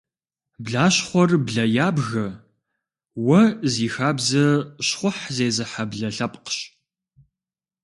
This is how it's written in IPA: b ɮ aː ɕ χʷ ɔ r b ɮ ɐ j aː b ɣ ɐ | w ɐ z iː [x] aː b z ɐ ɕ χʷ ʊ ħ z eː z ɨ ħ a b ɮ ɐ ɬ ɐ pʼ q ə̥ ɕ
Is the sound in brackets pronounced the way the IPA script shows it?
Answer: yes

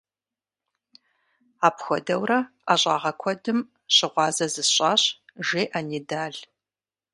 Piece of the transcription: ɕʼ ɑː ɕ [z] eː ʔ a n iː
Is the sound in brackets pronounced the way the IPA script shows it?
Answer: no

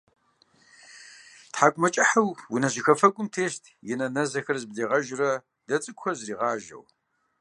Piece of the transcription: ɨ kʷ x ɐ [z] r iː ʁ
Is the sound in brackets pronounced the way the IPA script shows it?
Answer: yes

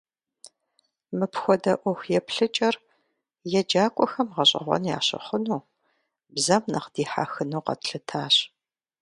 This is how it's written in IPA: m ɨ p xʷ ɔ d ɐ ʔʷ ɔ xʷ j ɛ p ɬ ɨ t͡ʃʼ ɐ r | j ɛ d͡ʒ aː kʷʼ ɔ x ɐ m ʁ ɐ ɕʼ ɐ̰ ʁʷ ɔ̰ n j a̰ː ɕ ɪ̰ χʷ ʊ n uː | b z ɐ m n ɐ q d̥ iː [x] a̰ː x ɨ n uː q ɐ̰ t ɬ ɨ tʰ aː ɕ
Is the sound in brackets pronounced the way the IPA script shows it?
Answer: no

